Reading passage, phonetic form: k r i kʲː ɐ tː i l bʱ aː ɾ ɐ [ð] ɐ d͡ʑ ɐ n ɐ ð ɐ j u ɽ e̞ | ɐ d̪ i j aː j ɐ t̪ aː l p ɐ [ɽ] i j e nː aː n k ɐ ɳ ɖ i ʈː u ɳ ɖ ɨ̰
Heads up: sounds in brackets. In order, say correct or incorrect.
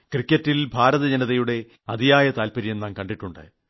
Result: correct, incorrect

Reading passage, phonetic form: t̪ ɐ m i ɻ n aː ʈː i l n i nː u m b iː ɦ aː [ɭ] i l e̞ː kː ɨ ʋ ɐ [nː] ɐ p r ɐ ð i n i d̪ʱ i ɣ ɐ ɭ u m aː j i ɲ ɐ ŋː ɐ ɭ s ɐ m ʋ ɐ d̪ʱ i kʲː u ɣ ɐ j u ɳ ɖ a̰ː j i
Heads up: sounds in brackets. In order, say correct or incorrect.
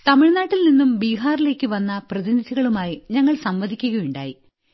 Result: incorrect, correct

